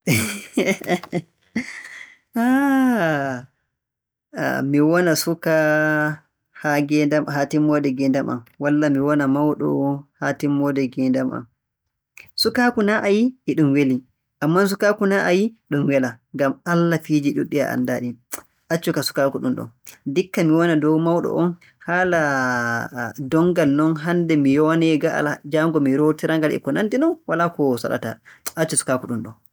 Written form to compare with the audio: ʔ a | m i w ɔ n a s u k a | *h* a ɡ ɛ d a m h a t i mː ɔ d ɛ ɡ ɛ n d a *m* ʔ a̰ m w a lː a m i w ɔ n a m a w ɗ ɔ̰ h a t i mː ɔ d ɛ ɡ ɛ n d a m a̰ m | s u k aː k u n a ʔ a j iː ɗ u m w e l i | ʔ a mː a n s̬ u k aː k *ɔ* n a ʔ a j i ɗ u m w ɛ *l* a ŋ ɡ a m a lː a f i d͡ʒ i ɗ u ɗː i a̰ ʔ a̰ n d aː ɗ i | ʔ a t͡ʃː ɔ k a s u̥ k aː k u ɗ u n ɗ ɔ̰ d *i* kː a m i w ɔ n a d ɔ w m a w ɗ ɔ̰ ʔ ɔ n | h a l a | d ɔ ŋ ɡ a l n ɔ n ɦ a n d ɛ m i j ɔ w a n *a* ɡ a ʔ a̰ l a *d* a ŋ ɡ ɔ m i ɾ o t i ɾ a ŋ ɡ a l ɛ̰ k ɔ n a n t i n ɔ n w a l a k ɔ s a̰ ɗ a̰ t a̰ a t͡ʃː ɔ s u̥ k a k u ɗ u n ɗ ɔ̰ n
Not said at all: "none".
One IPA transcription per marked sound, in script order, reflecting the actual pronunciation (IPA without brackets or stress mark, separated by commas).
h, m, u, l, i, ɛ, d͡ʒ